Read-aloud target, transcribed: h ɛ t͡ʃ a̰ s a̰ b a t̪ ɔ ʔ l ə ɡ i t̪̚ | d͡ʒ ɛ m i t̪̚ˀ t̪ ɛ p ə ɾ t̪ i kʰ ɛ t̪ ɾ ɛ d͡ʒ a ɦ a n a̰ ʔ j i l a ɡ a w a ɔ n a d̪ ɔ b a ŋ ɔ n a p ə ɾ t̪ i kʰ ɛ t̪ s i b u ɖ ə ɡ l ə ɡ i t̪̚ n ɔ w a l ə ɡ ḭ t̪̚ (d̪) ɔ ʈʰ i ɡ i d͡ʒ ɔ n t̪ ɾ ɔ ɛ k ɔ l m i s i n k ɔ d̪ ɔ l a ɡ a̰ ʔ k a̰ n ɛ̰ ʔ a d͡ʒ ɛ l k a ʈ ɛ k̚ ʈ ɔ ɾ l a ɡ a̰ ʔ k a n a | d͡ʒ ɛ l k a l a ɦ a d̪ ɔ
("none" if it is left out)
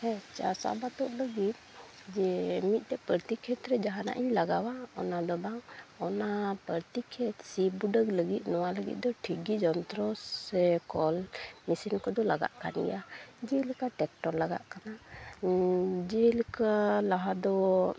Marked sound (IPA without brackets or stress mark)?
d̪